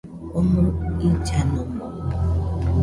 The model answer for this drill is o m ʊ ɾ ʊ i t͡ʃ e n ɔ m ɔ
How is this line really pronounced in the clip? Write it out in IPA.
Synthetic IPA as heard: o m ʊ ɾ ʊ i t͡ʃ a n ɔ m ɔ